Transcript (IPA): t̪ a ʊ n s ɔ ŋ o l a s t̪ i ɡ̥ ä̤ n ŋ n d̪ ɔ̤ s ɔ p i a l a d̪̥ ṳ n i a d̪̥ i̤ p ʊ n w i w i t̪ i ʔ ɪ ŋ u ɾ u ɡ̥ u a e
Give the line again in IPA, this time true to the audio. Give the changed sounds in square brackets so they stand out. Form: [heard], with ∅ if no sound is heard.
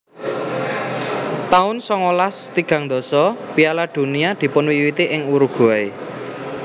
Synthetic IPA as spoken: t̪ a ʊ n s ɔ ŋ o l a s t̪ i ɡ̥ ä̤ [∅] ŋ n d̪ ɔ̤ s ɔ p i a l a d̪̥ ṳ n i a d̪̥ i̤ p ʊ n w i w i t̪ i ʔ ɪ ŋ u ɾ u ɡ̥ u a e